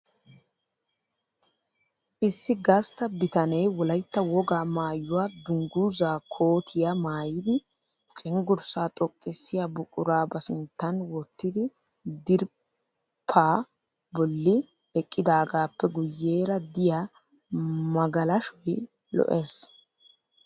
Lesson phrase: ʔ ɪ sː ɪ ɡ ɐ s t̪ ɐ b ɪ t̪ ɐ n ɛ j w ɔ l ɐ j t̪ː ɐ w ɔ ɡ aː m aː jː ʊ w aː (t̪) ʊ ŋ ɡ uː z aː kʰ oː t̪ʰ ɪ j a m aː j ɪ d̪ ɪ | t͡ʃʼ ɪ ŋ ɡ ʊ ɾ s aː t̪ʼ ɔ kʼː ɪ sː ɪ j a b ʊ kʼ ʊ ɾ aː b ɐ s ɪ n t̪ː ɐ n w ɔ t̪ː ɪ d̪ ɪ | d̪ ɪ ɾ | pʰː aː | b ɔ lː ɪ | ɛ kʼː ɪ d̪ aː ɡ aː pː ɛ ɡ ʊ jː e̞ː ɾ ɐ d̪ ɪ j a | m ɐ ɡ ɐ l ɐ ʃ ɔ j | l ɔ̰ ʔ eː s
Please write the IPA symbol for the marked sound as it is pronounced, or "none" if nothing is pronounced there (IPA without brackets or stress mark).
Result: d̪